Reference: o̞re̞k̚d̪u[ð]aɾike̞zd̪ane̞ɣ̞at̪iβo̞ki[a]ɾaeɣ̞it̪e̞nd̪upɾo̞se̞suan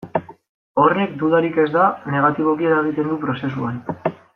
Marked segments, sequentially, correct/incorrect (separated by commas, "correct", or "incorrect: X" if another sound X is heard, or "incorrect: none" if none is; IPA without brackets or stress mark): correct, incorrect: e